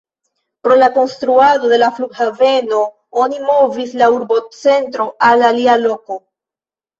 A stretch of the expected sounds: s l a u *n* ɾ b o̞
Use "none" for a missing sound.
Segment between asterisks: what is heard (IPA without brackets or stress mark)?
none